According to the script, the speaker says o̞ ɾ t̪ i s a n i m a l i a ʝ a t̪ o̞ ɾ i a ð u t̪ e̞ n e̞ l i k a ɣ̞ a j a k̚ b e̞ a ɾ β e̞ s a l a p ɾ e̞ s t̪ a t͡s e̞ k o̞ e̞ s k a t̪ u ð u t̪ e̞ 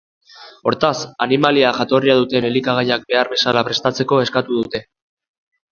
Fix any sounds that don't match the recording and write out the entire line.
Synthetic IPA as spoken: o̞ ɾ t̪ a s a n i m a l i a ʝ a t̪ o̞ r i a ð u t̪ e̞ n e̞ l i k a ɣ̞ a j a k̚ b e̞ a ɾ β e̞ s a l a p ɾ e̞ s t̪ a t͡s e̞ k o̞ e̞ s k a t̪ u ð u t̪ e̞